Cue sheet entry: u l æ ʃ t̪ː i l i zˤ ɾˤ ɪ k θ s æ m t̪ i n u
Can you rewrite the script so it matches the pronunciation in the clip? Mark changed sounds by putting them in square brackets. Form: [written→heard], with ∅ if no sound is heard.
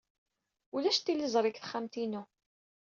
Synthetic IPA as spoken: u l æ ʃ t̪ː i l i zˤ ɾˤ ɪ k θ [s→χ] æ m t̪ i n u